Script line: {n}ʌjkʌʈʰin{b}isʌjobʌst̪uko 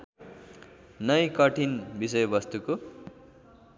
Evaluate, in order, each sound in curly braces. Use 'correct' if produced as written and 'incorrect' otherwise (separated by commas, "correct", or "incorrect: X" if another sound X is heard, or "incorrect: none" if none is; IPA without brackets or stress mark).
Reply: correct, correct